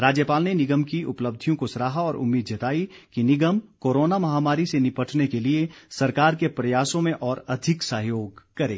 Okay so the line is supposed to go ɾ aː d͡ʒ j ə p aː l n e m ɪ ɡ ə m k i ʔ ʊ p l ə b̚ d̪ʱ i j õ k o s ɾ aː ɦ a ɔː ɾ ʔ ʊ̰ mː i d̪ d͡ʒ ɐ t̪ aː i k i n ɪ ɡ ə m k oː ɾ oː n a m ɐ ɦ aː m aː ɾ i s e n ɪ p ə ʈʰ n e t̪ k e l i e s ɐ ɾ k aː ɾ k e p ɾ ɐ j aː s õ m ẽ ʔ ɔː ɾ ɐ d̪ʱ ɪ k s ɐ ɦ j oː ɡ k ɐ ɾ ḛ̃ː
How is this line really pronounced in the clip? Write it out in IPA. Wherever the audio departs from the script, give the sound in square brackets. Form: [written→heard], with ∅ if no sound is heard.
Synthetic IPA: ɾ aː d͡ʒ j ə p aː l n e [m→n] ɪ ɡ ə m k i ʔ ʊ p l ə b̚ d̪ʱ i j õ k o s ɾ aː ɦ a ɔː ɾ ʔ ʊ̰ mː [i→iː] d̪ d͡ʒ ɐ t̪ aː i k i n ɪ ɡ ə m k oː ɾ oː n a m ɐ ɦ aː m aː ɾ i s e n ɪ p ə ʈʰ n e [t̪→∅] k e l i e s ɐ ɾ k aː ɾ k e p ɾ ɐ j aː s õ m ẽ ʔ ɔː ɾ ɐ d̪ʱ ɪ k s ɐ ɦ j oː ɡ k ɐ ɾ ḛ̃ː